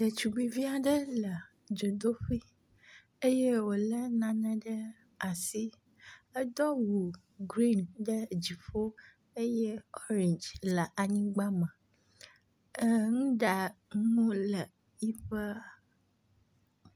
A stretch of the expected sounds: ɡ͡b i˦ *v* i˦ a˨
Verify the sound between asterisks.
correct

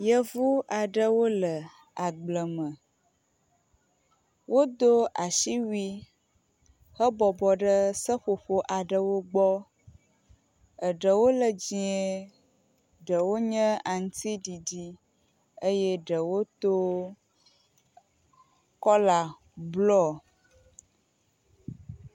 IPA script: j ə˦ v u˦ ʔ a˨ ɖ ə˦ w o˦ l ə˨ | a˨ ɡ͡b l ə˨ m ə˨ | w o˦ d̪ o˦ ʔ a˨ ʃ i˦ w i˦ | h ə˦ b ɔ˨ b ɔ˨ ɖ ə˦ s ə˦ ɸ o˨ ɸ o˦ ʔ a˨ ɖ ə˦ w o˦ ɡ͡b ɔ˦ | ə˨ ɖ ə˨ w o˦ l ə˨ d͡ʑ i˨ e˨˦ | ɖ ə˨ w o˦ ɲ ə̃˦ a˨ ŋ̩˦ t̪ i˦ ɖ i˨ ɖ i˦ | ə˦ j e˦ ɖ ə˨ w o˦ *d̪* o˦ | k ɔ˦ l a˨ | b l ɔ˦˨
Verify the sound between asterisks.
incorrect: t̪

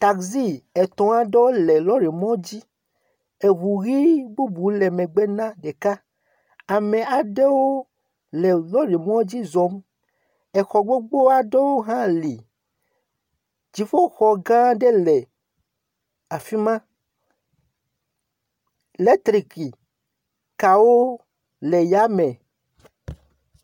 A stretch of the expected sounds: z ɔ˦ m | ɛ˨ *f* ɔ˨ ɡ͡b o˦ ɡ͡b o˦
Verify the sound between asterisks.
incorrect: x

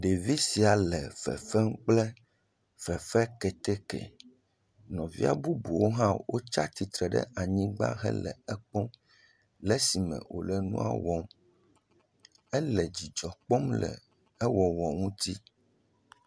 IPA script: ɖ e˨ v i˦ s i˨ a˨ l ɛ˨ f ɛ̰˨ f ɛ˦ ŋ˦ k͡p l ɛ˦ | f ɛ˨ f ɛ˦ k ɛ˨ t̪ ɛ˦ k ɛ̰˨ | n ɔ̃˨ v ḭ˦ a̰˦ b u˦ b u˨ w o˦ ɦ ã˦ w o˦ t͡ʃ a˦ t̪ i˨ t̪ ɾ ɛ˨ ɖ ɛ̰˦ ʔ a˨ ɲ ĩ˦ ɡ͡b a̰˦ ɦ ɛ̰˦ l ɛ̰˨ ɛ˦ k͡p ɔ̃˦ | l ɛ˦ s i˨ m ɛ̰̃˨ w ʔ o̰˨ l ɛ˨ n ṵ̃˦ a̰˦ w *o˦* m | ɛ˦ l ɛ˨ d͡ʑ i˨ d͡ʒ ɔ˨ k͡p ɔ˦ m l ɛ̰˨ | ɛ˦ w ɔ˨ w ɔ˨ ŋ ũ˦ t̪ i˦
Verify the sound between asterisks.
incorrect: ɔ˦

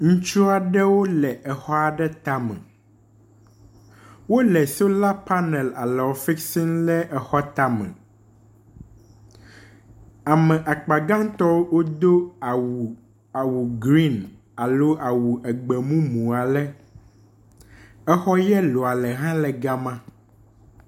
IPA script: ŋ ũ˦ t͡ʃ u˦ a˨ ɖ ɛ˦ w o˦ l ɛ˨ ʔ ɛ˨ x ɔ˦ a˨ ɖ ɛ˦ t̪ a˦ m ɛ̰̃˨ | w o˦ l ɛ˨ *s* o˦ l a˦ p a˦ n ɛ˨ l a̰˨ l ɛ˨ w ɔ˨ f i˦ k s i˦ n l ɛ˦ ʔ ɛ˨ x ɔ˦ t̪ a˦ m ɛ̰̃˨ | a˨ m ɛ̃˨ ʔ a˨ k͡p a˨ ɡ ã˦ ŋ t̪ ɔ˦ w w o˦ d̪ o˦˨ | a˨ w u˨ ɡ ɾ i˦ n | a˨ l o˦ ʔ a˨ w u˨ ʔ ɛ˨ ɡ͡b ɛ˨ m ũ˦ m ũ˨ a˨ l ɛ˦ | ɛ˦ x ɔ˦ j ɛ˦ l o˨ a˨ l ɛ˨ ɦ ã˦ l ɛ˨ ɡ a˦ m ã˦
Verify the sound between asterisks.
correct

